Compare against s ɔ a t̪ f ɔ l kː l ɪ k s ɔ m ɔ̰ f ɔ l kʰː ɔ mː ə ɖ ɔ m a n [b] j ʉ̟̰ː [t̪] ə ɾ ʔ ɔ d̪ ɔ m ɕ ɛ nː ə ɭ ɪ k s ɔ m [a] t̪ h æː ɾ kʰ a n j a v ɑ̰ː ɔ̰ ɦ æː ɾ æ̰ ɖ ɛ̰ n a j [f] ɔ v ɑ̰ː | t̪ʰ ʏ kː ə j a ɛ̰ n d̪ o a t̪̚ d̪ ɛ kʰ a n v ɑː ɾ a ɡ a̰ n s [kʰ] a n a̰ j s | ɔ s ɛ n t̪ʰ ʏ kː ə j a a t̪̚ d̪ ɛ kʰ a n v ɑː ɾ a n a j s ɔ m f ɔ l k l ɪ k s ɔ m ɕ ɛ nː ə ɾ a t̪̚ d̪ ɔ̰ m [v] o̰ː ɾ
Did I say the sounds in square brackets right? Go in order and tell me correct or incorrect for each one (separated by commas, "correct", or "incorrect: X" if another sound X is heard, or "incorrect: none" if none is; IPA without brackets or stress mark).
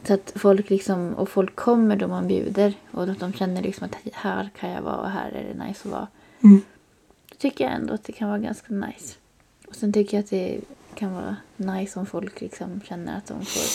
correct, incorrect: d̪, correct, incorrect: s, incorrect: k, incorrect: f